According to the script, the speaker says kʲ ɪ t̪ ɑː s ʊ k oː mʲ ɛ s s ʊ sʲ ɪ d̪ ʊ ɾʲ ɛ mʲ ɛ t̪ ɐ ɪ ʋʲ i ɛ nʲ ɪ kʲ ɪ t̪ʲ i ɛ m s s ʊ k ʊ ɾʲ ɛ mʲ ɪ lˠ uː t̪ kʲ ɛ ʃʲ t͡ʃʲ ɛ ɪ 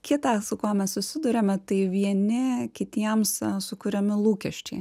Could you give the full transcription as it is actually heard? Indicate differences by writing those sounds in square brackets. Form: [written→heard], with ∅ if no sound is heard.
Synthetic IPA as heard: kʲ ɪ t̪ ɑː s ʊ k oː mʲ ɛ s s ʊ sʲ ɪ d̪ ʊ ɾʲ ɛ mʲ ɛ t̪ ɐ ɪ ʋʲ i ɛ nʲ ɪ kʲ ɪ t̪ʲ i ɛ m s s ʊ k ʊ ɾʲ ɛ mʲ ɪ lˠ uː [t̪→∅] kʲ ɛ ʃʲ t͡ʃʲ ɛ ɪ